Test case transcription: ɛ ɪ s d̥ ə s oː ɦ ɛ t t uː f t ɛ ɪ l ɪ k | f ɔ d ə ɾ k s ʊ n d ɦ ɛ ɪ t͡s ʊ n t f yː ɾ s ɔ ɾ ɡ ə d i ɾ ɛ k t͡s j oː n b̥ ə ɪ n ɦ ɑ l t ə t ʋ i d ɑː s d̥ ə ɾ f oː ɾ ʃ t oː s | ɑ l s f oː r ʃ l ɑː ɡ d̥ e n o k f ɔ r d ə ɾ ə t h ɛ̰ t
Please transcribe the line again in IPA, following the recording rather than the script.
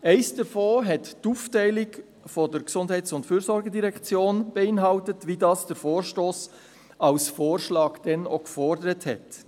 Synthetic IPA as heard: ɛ ɪ s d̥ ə f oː ɦ ɛ t t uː f t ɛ ɪ l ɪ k | f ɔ d ə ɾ k s ʊ n d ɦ ɛ ɪ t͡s ʊ n t f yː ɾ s ɔ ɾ ɡ ə d i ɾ ɛ k t͡s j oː n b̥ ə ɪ n ɦ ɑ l t ə t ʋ i d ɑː s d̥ ə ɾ f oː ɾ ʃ t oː s | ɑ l s f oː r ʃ l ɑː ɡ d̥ ɛ n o k f ɔ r d ə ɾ ə t h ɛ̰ t